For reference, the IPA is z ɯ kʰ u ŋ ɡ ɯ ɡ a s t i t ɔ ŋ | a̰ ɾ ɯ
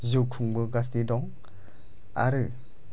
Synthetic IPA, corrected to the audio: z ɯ kʰ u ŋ b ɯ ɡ a s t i d ɔ ŋ | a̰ ɾ ɯ